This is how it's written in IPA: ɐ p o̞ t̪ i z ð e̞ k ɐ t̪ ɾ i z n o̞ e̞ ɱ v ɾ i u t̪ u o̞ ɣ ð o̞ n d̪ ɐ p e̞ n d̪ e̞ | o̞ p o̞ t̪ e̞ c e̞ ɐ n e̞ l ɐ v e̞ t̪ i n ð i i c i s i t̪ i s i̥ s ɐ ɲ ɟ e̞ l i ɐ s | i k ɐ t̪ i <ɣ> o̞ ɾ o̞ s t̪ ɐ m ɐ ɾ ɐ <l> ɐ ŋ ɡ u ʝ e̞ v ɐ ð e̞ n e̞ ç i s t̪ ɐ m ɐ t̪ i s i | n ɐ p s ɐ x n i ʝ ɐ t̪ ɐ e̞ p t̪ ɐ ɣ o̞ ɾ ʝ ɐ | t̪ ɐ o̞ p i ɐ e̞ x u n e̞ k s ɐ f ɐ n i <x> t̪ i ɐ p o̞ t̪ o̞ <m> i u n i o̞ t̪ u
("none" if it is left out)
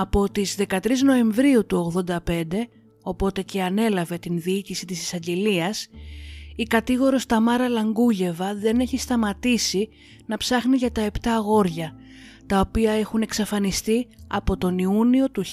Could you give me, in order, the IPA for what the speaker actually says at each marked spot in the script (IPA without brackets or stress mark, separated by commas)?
ɣ, l, s, n